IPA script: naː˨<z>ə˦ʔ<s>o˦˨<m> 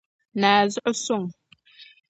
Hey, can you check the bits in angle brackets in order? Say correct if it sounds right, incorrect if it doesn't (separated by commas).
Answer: correct, correct, incorrect